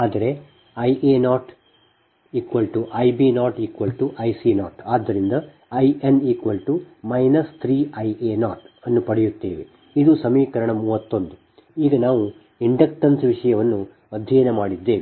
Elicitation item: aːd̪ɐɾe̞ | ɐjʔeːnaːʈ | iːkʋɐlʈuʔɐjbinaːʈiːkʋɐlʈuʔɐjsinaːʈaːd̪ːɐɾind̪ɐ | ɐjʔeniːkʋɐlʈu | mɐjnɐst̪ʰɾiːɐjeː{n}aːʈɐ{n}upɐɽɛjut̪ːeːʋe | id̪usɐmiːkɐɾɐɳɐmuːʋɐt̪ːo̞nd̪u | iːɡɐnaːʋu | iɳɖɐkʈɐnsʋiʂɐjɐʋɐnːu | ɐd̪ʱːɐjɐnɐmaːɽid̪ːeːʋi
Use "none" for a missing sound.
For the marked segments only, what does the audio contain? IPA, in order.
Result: n, nː

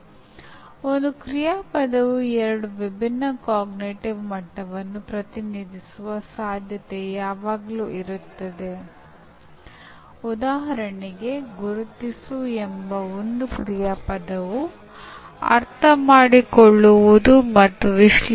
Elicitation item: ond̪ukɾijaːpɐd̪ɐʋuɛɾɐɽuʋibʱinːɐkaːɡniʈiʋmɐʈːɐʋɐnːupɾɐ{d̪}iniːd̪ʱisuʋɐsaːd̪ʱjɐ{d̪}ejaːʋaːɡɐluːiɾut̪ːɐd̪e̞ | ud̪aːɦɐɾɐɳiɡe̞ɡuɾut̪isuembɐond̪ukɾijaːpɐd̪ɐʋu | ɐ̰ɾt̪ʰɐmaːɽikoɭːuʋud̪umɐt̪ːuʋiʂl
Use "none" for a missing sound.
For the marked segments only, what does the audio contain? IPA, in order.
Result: t̪, t̪

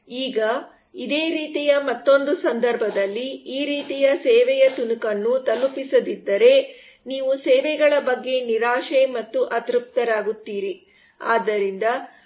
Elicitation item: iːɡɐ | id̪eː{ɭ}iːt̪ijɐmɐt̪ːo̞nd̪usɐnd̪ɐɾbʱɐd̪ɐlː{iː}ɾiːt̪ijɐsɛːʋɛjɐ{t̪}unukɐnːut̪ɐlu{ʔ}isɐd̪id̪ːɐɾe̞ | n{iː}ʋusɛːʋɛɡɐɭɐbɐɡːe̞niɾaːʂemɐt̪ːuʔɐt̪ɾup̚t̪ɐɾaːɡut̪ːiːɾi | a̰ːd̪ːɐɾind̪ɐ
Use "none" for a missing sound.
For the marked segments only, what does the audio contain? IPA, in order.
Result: ɾ, iː, t̪, p, iː

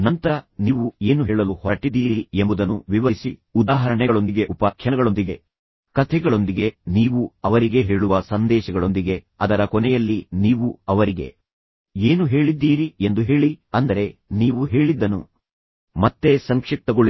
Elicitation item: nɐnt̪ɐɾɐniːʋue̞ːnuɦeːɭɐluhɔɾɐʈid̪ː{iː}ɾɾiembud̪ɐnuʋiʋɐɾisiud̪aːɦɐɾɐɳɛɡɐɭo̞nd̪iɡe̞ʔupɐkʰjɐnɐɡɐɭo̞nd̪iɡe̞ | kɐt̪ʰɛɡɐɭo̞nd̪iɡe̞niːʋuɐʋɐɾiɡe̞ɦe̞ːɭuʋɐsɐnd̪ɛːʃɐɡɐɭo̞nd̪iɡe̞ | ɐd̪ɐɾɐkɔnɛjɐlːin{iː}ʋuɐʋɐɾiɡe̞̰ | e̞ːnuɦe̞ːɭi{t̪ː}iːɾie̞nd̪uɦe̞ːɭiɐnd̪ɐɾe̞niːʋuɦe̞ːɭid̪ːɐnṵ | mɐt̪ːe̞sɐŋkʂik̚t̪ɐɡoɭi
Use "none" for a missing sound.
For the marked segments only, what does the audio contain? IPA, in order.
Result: iː, iː, d̪ː

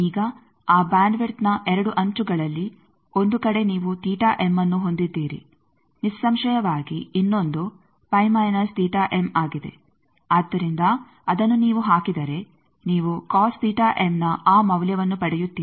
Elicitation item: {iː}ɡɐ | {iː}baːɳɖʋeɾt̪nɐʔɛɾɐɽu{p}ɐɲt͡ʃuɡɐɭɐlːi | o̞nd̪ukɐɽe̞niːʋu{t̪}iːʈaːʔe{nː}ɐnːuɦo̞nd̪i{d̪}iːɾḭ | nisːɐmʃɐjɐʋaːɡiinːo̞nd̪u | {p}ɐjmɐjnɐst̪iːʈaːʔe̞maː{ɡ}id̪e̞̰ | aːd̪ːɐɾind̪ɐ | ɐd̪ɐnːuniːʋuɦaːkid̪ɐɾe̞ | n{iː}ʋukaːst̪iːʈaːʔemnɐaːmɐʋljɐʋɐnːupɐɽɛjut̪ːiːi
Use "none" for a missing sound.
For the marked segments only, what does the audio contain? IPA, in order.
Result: iː, aː, ʔ, t̪, mː, d̪ː, p, ɡ, iː

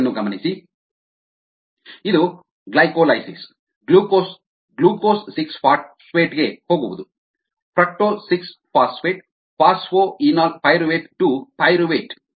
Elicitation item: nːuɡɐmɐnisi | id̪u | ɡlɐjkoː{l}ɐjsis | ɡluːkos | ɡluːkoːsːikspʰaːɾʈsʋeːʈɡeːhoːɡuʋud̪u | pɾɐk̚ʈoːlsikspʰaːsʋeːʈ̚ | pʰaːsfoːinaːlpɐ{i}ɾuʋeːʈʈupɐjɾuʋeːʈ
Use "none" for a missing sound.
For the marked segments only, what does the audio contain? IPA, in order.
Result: l, j

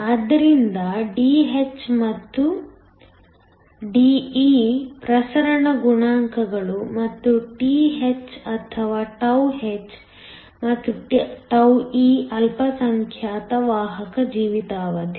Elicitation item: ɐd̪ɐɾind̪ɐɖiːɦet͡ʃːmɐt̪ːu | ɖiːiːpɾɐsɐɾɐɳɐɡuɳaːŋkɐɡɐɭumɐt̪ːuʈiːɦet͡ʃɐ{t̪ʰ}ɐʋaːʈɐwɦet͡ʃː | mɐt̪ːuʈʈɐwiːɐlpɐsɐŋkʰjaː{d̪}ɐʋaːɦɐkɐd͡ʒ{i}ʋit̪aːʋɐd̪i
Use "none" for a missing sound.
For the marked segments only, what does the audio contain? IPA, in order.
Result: t̪ʰ, t̪, iː

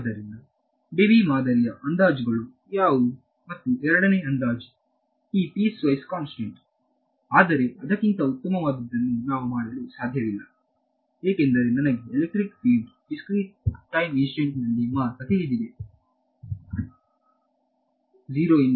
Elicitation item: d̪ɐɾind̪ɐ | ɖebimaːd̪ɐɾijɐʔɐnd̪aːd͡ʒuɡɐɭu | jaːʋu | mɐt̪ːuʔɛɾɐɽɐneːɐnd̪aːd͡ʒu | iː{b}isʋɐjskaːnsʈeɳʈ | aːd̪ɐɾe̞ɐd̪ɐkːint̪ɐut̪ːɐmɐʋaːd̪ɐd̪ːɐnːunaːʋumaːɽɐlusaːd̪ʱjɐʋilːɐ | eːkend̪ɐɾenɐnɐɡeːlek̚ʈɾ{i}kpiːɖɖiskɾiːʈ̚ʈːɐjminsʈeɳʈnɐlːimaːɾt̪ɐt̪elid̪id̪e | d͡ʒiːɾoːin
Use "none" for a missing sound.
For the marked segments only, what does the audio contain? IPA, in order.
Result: p, i

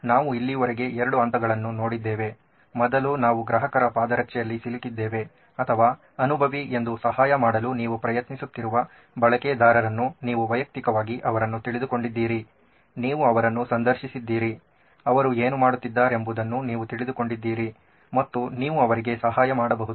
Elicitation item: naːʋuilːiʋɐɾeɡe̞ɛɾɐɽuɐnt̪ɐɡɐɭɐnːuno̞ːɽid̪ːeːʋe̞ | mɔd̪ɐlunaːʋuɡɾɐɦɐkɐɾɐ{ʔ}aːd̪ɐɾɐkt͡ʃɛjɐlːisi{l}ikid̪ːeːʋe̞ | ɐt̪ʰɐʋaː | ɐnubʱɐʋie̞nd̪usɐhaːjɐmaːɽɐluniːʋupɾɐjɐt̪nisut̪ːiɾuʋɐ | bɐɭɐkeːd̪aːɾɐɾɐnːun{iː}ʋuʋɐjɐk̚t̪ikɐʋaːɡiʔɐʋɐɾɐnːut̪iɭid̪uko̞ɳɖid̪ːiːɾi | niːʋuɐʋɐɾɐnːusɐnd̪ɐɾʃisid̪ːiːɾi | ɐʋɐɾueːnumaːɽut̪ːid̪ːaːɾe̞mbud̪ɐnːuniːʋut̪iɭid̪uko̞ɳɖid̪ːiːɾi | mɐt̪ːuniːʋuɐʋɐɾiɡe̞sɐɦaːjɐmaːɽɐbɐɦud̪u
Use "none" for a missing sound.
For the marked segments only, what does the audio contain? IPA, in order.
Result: p, l, iː

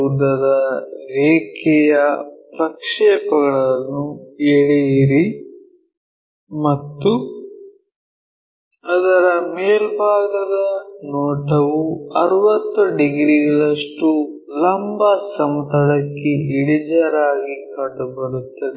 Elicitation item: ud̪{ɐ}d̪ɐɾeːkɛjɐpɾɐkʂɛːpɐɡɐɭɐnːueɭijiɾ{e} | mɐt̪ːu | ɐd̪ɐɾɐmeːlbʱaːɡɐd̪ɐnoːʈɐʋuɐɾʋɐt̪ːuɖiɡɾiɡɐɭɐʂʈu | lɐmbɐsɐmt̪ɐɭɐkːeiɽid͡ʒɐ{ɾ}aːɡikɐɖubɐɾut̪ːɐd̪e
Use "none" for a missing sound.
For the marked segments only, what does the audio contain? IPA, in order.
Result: ɐ, i, ɾ

